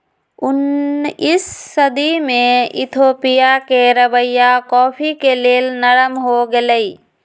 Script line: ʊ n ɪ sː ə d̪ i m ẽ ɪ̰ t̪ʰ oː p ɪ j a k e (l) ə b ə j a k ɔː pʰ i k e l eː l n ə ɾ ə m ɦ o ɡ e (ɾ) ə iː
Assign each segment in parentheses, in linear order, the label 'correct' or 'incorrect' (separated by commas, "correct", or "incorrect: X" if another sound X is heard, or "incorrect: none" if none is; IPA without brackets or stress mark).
incorrect: ɾ, incorrect: l